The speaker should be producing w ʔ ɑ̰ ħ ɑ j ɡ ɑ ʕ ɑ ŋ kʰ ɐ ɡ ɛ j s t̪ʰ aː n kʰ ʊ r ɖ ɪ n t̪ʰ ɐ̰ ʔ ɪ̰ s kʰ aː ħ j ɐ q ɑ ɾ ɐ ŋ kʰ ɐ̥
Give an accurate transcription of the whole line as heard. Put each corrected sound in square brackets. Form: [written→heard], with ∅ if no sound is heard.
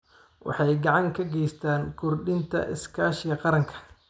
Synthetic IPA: w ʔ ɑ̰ ħ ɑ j ɡ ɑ ʕ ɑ ŋ kʰ ɐ ɡ ɛ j s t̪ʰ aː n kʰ ʊ r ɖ ɪ n t̪ʰ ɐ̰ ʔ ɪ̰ s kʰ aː [ħ→ʃ] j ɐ q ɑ ɾ ɐ ŋ kʰ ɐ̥